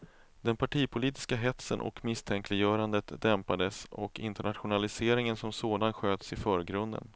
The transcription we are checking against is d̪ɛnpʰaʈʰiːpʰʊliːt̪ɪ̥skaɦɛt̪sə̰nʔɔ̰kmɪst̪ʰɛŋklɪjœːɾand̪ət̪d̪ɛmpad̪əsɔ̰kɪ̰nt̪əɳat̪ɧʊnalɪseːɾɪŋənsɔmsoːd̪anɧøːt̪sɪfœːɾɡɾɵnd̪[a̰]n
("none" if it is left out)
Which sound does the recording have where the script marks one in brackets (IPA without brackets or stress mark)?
ə̰